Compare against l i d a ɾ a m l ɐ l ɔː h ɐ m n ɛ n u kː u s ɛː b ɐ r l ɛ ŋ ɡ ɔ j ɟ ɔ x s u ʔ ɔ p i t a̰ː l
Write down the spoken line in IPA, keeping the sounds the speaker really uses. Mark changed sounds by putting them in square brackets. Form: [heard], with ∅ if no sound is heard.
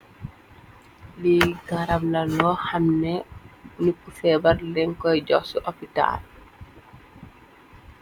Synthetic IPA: l i [ɡ] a ɾ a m l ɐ l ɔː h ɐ m n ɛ n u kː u [f] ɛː b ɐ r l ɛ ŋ [k] ɔ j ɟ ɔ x s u ʔ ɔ p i t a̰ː l